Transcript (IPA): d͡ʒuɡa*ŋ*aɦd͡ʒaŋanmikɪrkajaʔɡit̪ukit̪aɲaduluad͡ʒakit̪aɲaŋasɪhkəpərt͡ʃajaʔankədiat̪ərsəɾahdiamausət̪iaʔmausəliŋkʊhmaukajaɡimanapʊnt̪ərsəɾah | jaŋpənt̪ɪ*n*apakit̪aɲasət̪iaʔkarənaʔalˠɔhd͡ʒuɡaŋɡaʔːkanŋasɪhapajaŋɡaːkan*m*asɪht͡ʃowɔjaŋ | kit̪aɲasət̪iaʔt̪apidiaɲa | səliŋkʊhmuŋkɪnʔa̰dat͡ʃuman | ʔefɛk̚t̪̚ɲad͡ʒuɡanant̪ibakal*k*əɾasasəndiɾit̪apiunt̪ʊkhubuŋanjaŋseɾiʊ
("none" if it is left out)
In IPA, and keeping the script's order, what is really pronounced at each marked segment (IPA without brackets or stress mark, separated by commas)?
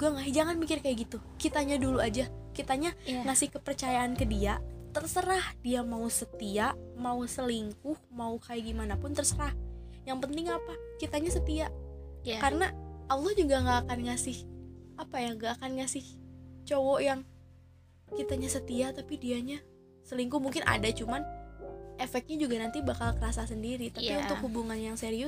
ŋ, ŋ, ŋ, k